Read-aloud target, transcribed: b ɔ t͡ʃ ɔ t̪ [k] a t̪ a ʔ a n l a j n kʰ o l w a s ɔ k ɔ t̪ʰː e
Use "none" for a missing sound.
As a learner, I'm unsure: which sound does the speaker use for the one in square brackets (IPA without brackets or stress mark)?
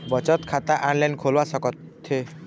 kʰ